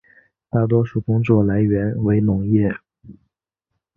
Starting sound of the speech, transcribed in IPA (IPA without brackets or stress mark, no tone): t̪